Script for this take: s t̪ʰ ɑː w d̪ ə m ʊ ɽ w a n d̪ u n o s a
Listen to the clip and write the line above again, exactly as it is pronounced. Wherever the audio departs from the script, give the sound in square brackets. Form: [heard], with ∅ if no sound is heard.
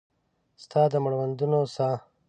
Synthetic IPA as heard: s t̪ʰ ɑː [∅] d̪ ə m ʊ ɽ w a n d̪ u n o s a